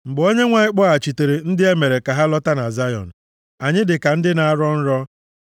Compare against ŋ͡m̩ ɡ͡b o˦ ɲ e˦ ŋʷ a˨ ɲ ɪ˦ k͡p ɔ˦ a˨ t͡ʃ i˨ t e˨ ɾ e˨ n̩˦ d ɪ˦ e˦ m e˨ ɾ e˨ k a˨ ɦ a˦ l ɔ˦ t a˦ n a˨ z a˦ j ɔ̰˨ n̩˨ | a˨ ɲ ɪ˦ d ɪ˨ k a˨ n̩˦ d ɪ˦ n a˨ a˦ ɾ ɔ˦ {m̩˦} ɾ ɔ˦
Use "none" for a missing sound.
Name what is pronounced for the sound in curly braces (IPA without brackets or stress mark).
n̩˦